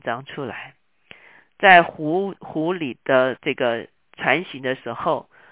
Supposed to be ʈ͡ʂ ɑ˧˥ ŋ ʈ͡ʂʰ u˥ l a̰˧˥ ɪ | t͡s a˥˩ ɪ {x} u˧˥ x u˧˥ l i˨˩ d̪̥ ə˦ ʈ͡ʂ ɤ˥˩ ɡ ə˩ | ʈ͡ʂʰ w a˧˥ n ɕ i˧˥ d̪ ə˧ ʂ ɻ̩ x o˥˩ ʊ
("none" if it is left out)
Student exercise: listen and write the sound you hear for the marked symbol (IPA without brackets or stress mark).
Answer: x